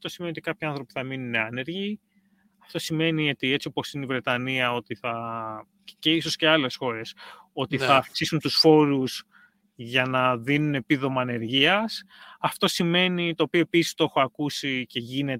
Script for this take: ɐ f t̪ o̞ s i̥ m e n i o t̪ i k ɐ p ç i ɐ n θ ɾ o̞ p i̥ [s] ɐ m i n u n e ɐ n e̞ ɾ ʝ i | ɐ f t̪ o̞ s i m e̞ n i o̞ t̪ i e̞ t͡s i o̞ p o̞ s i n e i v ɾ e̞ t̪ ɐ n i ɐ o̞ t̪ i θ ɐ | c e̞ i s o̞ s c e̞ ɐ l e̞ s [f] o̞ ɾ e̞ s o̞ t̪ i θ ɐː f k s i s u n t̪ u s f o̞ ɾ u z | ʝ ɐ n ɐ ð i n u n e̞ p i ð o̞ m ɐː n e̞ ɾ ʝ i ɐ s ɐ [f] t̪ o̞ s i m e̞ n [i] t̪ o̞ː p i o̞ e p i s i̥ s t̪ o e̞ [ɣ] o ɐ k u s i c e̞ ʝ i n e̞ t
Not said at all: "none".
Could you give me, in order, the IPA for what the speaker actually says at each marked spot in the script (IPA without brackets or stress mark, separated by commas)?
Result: θ, x, f, i, x